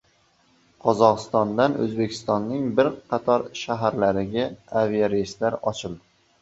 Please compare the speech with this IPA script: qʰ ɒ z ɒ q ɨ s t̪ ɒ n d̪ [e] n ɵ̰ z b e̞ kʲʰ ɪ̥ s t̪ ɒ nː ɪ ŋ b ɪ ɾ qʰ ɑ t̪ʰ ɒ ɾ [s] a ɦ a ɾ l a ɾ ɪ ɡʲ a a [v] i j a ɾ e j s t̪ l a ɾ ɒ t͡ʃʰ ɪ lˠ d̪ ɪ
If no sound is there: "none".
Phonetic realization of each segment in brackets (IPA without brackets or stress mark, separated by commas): a, ʃ, v